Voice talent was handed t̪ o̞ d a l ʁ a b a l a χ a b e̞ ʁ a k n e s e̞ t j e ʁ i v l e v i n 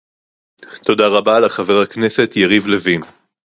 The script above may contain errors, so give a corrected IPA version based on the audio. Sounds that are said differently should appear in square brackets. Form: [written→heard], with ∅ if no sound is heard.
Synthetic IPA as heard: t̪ o̞ d a [l→∅] ʁ a b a l a χ a [b→v] e̞ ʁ a k n e s e̞ t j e ʁ i v l e v i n